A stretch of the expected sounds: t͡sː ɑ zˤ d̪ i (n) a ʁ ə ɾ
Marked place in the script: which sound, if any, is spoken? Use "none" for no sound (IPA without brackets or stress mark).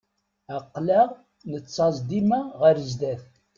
m